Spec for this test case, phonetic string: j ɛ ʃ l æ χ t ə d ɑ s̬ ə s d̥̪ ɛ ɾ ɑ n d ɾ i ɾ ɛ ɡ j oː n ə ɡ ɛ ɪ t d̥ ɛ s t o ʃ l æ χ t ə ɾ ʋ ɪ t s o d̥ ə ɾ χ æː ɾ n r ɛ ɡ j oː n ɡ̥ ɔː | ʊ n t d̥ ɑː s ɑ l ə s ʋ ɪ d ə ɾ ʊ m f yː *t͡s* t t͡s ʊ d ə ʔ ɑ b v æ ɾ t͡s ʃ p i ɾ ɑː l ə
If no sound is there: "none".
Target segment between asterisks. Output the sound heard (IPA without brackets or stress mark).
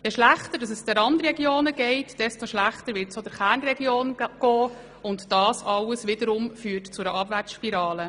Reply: none